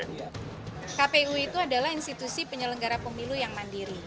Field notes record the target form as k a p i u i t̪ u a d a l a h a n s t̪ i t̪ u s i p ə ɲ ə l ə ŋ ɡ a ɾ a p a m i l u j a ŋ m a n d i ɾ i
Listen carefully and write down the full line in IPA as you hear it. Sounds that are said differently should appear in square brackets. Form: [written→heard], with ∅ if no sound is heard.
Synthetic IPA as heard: k a p [i→e] u i t̪ u a d a l a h [a→i] n s t̪ i t̪ u s i p ə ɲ ə l ə ŋ ɡ a ɾ a p [a→ə] m i l u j a ŋ m a n d i ɾ i

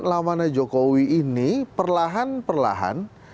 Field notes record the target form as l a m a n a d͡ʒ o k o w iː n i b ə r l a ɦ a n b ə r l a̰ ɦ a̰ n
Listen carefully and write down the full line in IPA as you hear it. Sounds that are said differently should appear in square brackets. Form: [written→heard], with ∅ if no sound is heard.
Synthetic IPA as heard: l a m a n a d͡ʒ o k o w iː n i [b→p] ə r l a ɦ a n [b→p] ə r l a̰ ɦ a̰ n

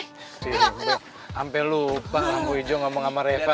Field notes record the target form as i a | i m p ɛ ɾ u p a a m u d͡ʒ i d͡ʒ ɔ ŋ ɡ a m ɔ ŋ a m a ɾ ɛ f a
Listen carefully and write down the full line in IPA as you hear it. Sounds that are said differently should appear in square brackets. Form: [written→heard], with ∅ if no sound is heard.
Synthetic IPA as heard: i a | [i→a] m p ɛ [ɾ→l] u p a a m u [d͡ʒ→∅] i d͡ʒ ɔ ŋ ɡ a m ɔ ŋ a m a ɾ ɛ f a

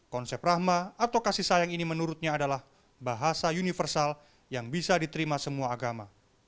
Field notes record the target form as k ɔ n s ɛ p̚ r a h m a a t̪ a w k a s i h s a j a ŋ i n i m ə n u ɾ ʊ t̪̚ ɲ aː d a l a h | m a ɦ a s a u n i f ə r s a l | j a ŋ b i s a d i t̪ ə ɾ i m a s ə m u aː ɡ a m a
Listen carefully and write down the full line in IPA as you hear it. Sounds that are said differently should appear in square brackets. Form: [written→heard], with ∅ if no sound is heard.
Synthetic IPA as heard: k ɔ n s ɛ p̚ r a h m a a t̪ a w k a s i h s a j a ŋ i n i m ə n u ɾ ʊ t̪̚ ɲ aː d a l a h | [m→b] a ɦ a s a u n i f ə r s a l | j a ŋ b i s a d i t̪ ə ɾ i m a s ə m u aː ɡ a m a

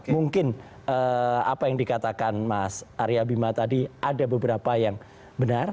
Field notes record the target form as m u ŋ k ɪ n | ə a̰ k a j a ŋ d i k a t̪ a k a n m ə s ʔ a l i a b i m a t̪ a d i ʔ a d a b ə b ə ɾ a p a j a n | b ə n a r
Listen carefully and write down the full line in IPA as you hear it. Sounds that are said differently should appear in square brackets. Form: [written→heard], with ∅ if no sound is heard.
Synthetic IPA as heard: m u ŋ k ɪ n | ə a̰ [k→p] a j a ŋ d i k a t̪ a k a n m [ə→a] s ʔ a [l→ɾ] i a b i m a t̪ a d i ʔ a d a b ə b ə ɾ a p a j a [n→ŋ] | b ə n a r

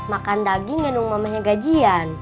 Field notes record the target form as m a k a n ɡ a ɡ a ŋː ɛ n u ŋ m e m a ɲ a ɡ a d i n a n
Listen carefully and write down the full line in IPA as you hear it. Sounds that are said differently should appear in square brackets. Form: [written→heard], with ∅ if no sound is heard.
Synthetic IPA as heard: m a k a n [ɡ→d] a ɡ [a→i] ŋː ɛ n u ŋ m [e→a] m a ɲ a ɡ a [d→d͡ʒ] i [n→∅] a n

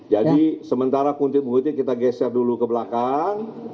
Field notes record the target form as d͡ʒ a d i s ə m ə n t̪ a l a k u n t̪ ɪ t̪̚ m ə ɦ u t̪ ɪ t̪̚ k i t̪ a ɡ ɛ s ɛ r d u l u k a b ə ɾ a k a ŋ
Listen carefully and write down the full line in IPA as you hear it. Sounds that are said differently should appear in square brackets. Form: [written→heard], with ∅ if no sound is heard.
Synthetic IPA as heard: d͡ʒ a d i s ə m ə n t̪ a [l→ɾ] a k u n t̪ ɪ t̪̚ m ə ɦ u t̪ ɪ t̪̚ k i t̪ a ɡ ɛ s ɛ r d u l u k [a→ə] b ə [ɾ→l] a k a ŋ

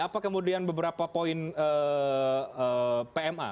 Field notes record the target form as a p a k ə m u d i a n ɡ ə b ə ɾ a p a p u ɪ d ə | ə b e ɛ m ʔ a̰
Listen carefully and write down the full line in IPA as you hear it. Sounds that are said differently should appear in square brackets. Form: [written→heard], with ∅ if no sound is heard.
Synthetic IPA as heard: a p a k ə m u d i a n [ɡ→b] ə b ə ɾ a p a p [u→o] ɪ [d→n] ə | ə [b→p] e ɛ m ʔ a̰

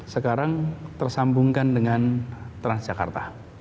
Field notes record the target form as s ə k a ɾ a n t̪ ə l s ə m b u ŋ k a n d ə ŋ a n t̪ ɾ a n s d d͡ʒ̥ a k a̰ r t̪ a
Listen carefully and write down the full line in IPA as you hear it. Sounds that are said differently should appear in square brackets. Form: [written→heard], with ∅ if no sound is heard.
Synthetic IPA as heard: s ə k a ɾ a [n→ŋ] t̪ ə [l→r] s [ə→a] m b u ŋ k a n d ə ŋ a n t̪ ɾ a n s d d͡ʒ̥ a k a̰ r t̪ a

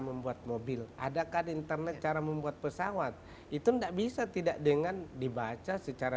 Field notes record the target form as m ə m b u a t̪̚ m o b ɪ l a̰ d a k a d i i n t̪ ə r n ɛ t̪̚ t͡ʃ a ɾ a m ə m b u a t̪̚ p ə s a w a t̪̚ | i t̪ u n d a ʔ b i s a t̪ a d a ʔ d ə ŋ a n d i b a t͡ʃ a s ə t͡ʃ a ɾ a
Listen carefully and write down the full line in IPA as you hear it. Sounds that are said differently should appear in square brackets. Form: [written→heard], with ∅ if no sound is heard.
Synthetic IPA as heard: m ə m b u a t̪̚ m o b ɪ l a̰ d a k a d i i n t̪ ə r n ɛ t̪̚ t͡ʃ a ɾ a m ə m b u a t̪̚ p ə s a w a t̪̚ | i t̪ u n d a ʔ b i s a t̪ [a→i] d a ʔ d ə ŋ a n d i b a t͡ʃ a s ə t͡ʃ a ɾ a

